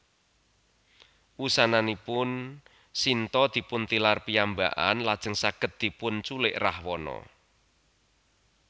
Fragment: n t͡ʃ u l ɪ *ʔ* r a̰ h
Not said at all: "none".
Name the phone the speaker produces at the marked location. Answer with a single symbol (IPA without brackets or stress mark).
ʔ